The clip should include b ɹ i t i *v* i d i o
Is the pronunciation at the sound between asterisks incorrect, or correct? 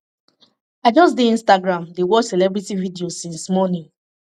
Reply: correct